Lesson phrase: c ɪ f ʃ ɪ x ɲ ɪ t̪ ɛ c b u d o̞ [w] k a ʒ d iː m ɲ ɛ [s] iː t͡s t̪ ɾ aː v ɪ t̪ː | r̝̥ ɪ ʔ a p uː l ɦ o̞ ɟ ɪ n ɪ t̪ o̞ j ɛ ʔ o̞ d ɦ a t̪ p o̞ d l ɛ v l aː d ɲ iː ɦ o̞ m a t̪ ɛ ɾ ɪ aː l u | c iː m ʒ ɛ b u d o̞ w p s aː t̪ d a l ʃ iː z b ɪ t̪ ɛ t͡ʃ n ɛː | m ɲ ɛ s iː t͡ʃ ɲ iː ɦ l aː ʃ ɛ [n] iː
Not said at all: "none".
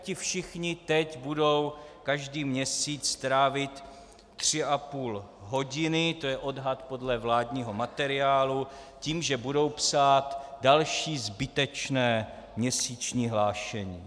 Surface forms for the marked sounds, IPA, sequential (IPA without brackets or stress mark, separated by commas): w, s, ɲ